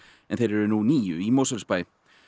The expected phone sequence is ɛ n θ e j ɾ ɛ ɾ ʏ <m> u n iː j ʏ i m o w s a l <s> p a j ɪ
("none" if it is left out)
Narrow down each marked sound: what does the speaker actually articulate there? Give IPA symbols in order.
n, s

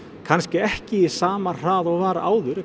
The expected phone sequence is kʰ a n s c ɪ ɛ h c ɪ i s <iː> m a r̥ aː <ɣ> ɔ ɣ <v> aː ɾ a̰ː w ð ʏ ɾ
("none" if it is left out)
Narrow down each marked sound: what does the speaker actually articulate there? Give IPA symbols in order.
aː, ð, v

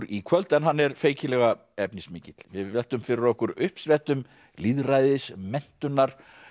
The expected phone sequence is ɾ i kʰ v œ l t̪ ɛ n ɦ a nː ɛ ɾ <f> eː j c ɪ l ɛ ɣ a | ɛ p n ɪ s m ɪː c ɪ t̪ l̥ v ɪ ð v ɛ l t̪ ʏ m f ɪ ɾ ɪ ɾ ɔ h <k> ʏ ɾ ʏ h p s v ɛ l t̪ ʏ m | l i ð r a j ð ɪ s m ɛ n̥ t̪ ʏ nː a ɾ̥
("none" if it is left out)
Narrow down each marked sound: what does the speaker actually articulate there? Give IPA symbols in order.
f, k

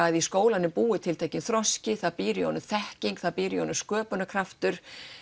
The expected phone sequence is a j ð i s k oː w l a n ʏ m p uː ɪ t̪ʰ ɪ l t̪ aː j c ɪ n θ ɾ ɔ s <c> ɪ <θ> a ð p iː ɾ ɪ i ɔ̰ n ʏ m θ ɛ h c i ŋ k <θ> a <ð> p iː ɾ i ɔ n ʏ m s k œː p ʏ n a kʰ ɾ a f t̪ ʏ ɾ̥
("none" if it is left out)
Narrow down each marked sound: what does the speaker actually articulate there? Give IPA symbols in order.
c, θ, θ, ð

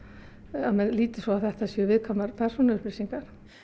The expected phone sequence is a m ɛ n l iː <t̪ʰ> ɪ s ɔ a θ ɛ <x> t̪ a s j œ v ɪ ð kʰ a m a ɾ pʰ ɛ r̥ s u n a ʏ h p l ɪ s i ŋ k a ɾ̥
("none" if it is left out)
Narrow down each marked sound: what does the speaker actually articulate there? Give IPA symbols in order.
t̪, h

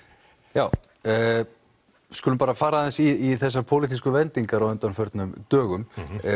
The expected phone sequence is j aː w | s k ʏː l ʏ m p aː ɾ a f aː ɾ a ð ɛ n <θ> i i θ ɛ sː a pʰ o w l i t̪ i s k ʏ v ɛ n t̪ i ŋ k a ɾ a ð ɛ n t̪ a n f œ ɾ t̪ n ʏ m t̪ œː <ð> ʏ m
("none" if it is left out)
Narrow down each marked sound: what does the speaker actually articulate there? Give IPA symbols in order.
s, ɣ

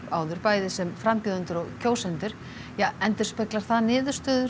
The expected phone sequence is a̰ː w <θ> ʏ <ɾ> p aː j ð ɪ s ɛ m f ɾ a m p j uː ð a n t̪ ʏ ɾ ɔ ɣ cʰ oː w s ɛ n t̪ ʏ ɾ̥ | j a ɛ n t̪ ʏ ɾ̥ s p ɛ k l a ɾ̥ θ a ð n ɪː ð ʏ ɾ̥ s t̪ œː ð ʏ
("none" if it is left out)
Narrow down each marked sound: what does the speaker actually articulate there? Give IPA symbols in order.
ð, ɾ

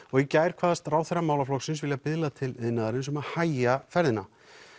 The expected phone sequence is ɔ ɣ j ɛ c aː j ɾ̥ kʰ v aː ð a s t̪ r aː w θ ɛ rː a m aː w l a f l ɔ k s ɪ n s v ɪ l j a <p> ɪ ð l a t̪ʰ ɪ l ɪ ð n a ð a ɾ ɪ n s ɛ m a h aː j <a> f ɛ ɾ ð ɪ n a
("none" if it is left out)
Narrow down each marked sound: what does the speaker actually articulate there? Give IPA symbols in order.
p, a

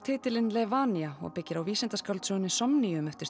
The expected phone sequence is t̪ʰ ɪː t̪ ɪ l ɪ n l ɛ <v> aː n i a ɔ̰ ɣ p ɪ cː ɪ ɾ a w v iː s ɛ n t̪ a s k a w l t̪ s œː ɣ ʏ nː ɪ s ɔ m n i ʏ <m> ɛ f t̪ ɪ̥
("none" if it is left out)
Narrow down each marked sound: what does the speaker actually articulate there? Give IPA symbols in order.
v, m

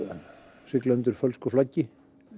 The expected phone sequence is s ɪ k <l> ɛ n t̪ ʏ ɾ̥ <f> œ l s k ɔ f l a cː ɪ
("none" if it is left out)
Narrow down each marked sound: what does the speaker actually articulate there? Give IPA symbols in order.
l, f

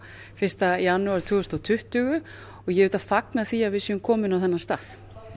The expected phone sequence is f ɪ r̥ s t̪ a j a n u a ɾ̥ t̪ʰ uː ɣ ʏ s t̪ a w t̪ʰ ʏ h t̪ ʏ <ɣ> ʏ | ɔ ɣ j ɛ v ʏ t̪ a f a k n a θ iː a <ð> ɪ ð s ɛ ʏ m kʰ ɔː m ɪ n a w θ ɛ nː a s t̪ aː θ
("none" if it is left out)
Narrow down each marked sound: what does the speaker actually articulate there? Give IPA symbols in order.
ɣ, v

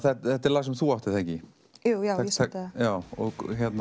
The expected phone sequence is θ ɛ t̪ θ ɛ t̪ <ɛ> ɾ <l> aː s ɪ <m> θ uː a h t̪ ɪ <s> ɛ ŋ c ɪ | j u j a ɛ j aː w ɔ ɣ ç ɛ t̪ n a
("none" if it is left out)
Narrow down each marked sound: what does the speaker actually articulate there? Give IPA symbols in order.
ɛ, l, m, θ

